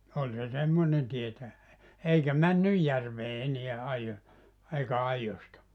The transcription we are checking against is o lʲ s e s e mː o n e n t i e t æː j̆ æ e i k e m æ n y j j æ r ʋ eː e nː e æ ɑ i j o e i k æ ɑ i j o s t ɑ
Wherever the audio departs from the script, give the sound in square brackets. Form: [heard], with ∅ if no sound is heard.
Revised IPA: o lʲ s e s e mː o n e n t i e t [æ] j̆ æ e i k [æ] m æ [nː] y j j æ r ʋ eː e [n] e æ ɑ i j o e i k æ ɑ i j o s t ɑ